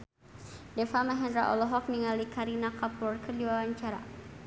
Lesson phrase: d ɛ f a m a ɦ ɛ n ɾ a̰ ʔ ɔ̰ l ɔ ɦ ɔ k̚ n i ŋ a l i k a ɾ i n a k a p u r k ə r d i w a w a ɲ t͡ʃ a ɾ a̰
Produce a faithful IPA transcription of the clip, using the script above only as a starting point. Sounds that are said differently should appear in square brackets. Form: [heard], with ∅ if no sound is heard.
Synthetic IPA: d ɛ f a m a ɦ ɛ n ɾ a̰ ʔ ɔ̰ l ɔ ɦ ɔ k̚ n i ŋ a l i k a ɾ i n a k a p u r k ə r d i w a w a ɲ t͡ʃ a ɾ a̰

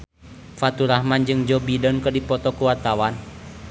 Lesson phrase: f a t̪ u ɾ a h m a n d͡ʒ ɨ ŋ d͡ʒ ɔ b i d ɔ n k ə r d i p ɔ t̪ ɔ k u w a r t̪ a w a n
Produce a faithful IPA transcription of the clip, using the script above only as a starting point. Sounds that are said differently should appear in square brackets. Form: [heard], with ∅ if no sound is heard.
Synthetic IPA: f a t̪ u ɾ a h m a n d͡ʒ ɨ ŋ d͡ʒ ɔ b i d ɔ n k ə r d i p ɔ t̪ ɔ k u w a r t̪ a w a n

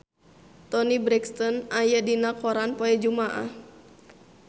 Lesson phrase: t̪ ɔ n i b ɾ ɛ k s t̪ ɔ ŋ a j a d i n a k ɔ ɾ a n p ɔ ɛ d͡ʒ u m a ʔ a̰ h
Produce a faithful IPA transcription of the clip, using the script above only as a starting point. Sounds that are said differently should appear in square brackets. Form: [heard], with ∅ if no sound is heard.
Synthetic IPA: t̪ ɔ n i b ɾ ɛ k s t̪ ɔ [n] a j a d i n a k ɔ ɾ a n p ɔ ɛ d͡ʒ u m a ʔ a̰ h

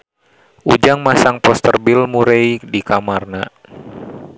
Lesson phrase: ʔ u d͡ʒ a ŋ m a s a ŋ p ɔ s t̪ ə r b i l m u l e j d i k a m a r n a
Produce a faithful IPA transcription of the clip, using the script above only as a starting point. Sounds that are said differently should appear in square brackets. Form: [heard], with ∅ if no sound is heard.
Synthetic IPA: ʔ u d͡ʒ a ŋ m a s a ŋ p ɔ s t̪ ə r b i l m u [ɾ] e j d i k a m a r n a

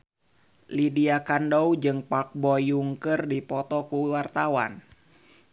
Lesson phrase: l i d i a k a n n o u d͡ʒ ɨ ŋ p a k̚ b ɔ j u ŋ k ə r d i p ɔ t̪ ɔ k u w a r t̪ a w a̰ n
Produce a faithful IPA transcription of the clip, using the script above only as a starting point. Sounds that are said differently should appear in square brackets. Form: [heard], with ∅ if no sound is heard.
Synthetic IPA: l i d i a k a n [d] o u d͡ʒ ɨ ŋ p a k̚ b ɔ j u ŋ k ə r d i p ɔ t̪ ɔ k u w a r t̪ a w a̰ n

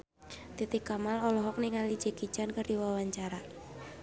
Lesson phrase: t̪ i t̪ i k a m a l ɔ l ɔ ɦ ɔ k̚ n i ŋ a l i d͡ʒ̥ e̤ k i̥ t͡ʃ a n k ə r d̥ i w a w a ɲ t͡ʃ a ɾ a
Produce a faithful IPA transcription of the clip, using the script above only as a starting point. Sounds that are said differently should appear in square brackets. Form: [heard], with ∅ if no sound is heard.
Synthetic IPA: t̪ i t̪ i k a m a l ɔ l ɔ ɦ ɔ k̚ n i ŋ a l i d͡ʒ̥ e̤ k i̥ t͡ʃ a n k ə r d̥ i w a w a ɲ t͡ʃ a ɾ a

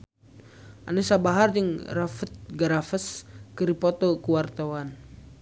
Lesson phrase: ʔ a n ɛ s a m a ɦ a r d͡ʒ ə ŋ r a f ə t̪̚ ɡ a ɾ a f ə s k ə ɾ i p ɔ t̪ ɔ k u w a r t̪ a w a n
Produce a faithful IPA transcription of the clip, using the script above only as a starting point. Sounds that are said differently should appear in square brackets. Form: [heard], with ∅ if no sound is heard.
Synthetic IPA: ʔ a n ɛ s a [b] a ɦ a r d͡ʒ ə ŋ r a f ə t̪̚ ɡ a ɾ a f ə s k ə ɾ i p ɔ t̪ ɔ k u w a r t̪ a w a n

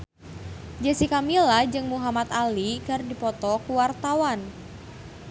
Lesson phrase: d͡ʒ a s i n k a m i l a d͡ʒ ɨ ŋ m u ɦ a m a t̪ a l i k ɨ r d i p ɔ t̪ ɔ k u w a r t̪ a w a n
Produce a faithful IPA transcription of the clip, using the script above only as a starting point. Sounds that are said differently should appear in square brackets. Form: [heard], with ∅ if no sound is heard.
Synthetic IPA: d͡ʒ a s i [∅] k a m i l a d͡ʒ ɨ ŋ m u ɦ a m a t̪ a l i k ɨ r d i p ɔ t̪ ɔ k u w a r t̪ a w a n

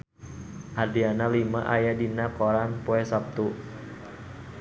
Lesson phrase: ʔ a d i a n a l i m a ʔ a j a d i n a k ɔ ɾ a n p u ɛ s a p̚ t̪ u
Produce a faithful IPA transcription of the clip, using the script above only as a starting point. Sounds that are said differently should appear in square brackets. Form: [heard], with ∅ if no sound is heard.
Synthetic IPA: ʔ a d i a n a l i m a ʔ a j a d i n a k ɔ ɾ a n p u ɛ s a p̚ t̪ u

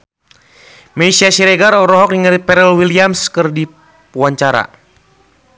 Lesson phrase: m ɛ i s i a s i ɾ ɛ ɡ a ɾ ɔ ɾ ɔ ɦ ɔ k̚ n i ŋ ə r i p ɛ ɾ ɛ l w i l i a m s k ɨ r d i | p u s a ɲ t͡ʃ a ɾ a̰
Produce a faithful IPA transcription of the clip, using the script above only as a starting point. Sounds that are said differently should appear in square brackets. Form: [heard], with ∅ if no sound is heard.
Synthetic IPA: m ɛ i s i a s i ɾ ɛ ɡ a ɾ ɔ ɾ ɔ ɦ ɔ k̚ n i ŋ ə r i p ɛ ɾ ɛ l w i l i a m s k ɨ r d i | p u [∅] a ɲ t͡ʃ a ɾ a̰

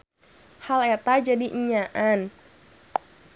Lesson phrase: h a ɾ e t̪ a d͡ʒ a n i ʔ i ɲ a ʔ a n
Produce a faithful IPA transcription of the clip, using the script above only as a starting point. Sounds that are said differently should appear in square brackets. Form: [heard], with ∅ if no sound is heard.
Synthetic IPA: h a [l] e t̪ a d͡ʒ a [d] i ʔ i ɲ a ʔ a n

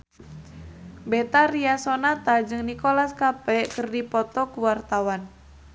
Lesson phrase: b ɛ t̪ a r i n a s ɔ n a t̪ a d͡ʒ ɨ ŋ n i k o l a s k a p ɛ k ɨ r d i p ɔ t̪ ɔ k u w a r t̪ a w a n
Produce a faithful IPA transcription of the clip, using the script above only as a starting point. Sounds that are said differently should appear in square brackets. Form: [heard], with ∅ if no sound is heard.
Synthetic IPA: b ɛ t̪ a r i [∅] a s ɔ n a t̪ a d͡ʒ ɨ ŋ n i k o l a s k a p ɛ k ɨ r d i p ɔ t̪ ɔ k u w a r t̪ a w a n

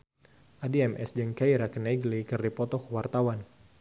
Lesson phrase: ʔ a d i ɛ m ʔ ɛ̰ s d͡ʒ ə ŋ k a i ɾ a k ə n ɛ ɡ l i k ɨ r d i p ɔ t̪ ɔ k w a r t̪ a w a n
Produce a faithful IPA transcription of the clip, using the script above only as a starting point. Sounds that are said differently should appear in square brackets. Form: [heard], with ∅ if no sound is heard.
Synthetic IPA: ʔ a d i ɛ m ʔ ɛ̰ s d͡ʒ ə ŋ k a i ɾ a k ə n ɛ ɡ l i k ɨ r d i p ɔ t̪ ɔ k w a r t̪ a w a n

